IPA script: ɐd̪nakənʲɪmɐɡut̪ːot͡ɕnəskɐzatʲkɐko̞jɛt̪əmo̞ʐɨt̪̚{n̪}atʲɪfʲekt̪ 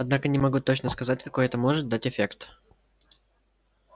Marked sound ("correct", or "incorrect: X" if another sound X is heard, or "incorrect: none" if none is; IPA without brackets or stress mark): incorrect: d̪